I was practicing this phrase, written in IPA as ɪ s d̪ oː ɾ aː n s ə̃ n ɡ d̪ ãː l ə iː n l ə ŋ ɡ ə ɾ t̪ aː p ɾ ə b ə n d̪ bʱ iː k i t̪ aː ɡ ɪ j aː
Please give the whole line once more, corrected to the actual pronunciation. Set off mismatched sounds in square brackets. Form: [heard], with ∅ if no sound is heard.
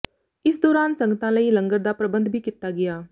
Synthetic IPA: ɪ s d̪ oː ɾ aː n s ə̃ [ŋ] ɡ [t̪] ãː l ə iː [∅] l ə ŋ ɡ ə ɾ [d̪] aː p ɾ ə b ə n d̪ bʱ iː k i t̪ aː ɡ ɪ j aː